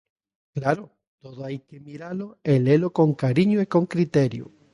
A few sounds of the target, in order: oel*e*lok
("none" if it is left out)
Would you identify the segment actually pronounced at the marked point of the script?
e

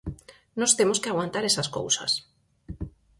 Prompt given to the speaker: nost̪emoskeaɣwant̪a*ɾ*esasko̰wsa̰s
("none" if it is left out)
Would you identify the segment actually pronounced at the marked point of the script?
ɾ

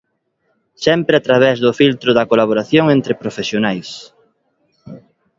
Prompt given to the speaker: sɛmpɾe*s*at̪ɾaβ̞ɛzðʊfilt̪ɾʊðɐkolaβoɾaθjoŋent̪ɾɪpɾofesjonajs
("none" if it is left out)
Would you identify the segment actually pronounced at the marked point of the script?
none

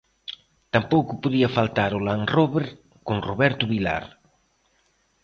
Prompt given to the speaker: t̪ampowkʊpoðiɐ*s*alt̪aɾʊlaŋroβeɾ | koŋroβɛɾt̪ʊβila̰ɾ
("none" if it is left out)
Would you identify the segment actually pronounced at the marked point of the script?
f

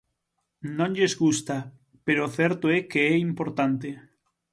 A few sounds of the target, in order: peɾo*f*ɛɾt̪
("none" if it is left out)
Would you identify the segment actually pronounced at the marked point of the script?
θ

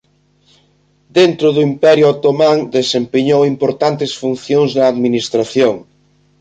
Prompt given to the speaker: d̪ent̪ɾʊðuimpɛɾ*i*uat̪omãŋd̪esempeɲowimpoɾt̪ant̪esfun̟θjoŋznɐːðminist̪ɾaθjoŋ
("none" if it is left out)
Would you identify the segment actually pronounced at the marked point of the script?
j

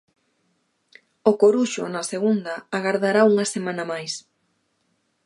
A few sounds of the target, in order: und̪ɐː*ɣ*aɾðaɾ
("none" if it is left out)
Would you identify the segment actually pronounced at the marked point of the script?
ɣ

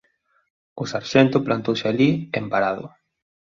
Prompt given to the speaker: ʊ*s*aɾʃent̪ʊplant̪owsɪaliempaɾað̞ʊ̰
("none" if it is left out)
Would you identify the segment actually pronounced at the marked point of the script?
s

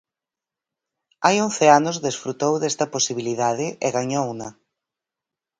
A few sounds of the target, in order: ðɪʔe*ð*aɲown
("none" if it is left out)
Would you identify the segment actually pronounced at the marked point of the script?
ɣ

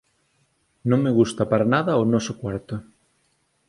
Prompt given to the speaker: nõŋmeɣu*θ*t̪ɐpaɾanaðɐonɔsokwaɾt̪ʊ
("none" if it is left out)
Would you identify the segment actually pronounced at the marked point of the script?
s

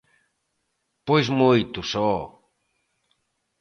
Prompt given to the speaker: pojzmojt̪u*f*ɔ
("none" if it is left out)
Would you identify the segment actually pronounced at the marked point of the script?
s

